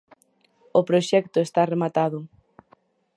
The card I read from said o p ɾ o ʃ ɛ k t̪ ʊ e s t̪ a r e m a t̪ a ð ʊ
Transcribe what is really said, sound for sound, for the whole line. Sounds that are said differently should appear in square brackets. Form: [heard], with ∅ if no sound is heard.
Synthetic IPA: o p ɾ o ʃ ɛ k t̪ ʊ e s t̪ a r e m a t̪ a ð ʊ